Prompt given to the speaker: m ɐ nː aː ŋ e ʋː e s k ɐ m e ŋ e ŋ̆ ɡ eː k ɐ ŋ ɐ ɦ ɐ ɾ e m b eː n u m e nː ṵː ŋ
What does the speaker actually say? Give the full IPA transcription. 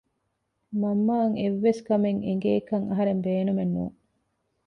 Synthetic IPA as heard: m ɐ mː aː ŋ e ʋː e s k ɐ m e ŋ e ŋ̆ ɡ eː k ɐ ŋ ɐ ɦ ɐ ɾ e m b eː n u m e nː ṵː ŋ